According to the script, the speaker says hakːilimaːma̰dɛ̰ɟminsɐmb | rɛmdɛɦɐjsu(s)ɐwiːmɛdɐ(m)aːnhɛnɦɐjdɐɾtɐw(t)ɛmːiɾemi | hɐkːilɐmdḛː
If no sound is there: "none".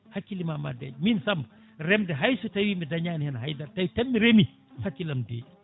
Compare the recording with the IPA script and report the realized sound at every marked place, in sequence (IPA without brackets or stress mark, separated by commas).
t, ɲ, t